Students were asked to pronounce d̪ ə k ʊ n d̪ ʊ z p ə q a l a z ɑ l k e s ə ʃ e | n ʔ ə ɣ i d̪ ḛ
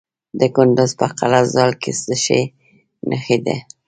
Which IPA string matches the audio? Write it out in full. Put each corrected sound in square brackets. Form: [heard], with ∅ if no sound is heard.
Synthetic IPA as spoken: d̪ ə k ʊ n d̪ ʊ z p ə q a l a z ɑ l k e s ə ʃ e | n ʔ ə [x] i d̪ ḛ